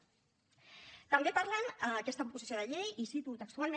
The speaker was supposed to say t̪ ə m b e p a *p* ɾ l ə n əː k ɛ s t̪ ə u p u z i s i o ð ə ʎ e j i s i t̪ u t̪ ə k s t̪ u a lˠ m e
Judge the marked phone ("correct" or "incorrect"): incorrect